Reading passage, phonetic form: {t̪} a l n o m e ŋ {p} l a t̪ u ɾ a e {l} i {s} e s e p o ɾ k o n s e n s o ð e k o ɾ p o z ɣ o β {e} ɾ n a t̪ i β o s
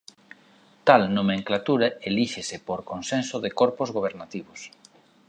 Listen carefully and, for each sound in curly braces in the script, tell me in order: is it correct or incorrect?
correct, incorrect: k, correct, incorrect: ʃ, correct

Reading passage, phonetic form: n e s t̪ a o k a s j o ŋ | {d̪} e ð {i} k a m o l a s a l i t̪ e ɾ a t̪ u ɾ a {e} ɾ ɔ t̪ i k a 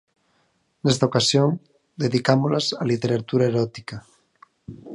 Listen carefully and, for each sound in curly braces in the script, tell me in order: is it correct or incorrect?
correct, correct, correct

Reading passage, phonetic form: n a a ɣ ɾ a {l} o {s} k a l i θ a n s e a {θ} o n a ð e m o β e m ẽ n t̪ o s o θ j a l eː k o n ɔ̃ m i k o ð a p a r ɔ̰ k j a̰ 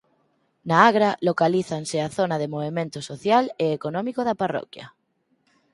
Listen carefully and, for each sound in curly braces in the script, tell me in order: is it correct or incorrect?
correct, incorrect: none, correct

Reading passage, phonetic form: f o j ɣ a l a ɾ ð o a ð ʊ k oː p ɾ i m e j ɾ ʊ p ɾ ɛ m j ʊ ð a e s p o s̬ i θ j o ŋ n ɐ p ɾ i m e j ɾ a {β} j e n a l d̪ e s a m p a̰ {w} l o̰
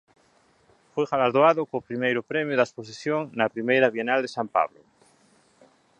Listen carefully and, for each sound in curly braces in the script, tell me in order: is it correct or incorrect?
correct, incorrect: β

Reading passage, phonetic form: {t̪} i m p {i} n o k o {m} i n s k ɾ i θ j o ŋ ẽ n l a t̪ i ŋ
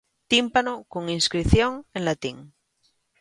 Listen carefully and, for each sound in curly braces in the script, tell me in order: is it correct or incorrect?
correct, incorrect: a, incorrect: ŋ

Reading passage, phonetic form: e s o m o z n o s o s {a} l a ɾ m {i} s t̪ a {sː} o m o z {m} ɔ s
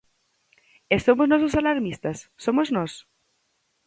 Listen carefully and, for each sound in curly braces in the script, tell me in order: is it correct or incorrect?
correct, correct, correct, incorrect: n

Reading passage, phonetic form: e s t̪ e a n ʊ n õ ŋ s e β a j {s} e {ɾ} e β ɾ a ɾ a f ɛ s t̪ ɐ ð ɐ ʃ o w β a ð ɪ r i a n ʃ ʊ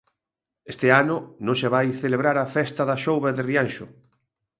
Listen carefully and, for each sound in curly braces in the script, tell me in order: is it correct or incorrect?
incorrect: θ, incorrect: l

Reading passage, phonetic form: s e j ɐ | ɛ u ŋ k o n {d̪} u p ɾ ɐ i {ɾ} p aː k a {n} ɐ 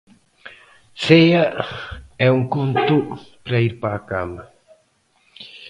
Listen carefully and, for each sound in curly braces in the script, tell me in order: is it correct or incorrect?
incorrect: t̪, correct, incorrect: m

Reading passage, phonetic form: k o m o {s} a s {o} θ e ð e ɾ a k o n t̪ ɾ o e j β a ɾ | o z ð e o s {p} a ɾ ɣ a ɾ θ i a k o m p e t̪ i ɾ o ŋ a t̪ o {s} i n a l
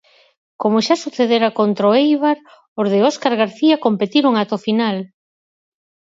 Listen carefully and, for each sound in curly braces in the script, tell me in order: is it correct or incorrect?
incorrect: ʃ, incorrect: u, incorrect: k, incorrect: f

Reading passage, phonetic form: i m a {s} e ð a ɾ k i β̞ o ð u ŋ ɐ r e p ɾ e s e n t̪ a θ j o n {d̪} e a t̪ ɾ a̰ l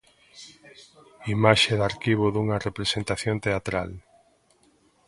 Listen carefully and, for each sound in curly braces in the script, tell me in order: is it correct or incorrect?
incorrect: ʃ, incorrect: t̪

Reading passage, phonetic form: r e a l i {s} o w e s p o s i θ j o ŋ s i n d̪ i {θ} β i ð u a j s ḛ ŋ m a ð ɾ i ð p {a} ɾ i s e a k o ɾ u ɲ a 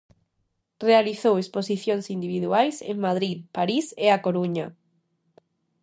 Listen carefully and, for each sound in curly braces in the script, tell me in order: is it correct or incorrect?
incorrect: θ, incorrect: none, correct

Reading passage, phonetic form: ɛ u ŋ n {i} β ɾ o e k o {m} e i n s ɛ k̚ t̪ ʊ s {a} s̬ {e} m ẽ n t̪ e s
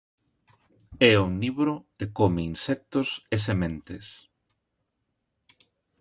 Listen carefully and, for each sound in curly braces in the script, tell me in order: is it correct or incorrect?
correct, correct, incorrect: e, correct

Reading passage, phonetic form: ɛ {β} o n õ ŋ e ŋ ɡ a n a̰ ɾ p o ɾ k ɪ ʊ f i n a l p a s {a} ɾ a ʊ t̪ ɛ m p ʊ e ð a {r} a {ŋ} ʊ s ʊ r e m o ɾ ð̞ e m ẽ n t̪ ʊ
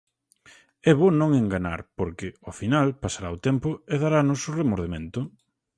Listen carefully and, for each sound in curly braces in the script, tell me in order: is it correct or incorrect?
correct, correct, incorrect: ɾ, incorrect: n

